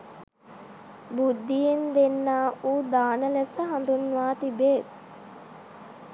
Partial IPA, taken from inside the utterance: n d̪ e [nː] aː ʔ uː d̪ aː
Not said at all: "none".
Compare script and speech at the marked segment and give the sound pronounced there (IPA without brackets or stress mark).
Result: nː